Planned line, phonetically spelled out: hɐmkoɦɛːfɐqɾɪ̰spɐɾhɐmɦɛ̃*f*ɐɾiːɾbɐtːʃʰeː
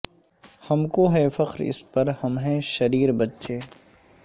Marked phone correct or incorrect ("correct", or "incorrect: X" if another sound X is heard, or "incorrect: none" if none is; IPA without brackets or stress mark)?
incorrect: ʃ